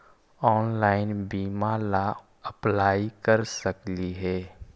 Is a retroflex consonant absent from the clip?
yes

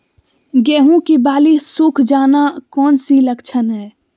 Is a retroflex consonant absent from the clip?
yes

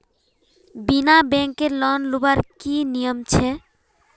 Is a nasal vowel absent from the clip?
yes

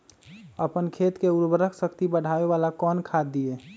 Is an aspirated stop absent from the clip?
no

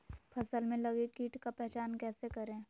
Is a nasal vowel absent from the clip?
no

